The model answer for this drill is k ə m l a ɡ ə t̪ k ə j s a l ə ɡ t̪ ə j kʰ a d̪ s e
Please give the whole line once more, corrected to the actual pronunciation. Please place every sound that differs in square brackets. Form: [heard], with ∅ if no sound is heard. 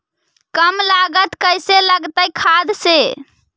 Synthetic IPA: k ə m l a ɡ ə t̪ k ə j s [e] l ə ɡ t̪ ə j kʰ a d̪ s e

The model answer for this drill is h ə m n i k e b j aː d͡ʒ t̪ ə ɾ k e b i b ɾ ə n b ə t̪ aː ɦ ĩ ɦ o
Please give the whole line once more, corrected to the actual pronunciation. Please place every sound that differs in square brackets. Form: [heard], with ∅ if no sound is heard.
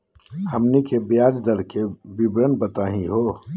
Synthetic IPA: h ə m n i k e b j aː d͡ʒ [d̪] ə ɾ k e b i b ɾ ə n b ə t̪ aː ɦ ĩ ɦ o

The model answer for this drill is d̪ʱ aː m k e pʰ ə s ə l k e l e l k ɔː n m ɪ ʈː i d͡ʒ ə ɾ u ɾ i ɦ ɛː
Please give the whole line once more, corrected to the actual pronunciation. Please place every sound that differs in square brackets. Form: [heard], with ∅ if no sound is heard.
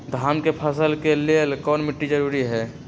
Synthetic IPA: d̪ʱ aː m k e pʰ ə s ə l k e l e l k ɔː n m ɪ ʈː i d͡ʒ ə ɾ u ɾ i ɦ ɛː

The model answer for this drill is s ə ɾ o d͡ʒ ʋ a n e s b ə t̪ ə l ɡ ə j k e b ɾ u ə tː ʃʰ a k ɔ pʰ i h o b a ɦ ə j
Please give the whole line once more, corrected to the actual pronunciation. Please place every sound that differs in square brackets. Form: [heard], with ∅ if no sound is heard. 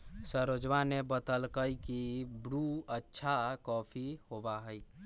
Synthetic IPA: s ə ɾ o d͡ʒ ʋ a n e [∅] b ə t̪ ə l [k] ə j k [i] b ɾ u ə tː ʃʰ a k ɔ pʰ i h o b a ɦ ə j

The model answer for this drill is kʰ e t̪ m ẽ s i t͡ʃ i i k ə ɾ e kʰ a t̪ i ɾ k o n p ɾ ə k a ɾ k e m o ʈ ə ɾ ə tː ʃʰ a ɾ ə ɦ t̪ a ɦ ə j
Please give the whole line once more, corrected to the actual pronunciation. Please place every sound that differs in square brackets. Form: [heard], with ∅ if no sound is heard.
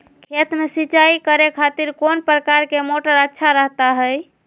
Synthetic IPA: kʰ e t̪ m [e] s i t͡ʃ [a] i k ə ɾ e kʰ a t̪ i ɾ k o n p ɾ ə k a ɾ k e m o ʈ ə ɾ ə tː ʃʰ a ɾ ə ɦ t̪ a ɦ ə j

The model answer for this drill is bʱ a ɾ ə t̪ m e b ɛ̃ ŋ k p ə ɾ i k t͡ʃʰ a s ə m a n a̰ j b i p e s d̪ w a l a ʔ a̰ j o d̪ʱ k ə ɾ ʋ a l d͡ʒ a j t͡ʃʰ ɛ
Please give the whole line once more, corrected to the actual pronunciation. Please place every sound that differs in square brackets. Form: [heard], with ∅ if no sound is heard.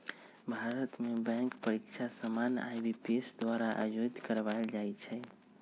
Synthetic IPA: bʱ a ɾ ə t̪ m e b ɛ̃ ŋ k p ə ɾ i k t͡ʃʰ a s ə m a n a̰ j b i p e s d̪ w a [ɾ] a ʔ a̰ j o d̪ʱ k ə ɾ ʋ a l d͡ʒ a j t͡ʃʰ ɛ

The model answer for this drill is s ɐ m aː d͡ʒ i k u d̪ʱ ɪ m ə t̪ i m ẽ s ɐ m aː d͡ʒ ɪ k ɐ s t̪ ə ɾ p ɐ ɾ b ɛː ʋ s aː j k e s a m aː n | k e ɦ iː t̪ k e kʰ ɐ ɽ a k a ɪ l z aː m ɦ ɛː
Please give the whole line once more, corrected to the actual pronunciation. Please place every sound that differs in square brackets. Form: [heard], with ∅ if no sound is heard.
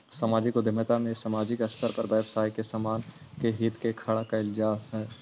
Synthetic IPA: s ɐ m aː d͡ʒ i k [o] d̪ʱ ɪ m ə t̪ [a] m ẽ s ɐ m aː d͡ʒ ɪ k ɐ s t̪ ə ɾ p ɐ ɾ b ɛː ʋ s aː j k e s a m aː n | k e ɦ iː t̪ k e kʰ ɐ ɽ a k a ɪ l z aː m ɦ ɛː

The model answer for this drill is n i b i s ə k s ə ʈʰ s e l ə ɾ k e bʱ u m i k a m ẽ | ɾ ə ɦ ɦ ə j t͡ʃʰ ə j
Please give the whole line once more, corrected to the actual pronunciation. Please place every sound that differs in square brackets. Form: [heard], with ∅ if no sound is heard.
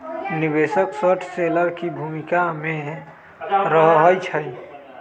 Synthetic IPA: n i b [e] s ə k s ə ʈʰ s e l ə ɾ k [i] bʱ u m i k a m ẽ | ɾ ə ɦ ɦ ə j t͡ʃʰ ə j

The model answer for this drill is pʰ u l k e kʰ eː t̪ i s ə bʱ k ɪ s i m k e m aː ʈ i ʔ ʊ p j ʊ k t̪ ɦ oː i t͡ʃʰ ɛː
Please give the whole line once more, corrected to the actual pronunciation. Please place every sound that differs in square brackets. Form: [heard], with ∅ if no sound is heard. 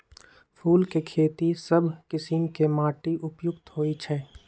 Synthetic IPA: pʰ [uː] l k e kʰ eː t̪ i s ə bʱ k ɪ s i m k e m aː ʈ i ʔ ʊ p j ʊ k t̪ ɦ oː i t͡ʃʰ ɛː

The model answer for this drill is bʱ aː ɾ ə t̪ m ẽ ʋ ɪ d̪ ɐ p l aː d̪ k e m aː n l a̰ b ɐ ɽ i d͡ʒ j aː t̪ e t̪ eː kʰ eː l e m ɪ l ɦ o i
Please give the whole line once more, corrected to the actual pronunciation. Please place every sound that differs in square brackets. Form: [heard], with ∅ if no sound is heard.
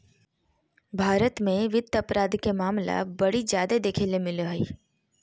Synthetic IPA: bʱ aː ɾ ə t̪ m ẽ ʋ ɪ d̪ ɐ p [ɾ] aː d̪ k e m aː [m] l a̰ b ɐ ɽ i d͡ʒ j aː [d̪] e [d̪] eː kʰ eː l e m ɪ l ɦ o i

